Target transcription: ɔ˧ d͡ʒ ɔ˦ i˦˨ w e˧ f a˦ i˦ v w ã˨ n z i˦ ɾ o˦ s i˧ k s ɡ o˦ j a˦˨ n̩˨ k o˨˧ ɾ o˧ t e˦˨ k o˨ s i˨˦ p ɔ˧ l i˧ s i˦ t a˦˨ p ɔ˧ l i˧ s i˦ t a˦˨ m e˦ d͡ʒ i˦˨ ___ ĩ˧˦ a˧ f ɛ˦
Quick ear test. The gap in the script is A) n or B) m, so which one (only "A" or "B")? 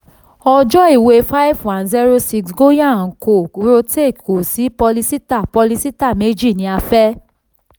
A